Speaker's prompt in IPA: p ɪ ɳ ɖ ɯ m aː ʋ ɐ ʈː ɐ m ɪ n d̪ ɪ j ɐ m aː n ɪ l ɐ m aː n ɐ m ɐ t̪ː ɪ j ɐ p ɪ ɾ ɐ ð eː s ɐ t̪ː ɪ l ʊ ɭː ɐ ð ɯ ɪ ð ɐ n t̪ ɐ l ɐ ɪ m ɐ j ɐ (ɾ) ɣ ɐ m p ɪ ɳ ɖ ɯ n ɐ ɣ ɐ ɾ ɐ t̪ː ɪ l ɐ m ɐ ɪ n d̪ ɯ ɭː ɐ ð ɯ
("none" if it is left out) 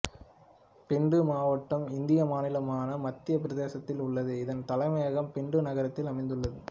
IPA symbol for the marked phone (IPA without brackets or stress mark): none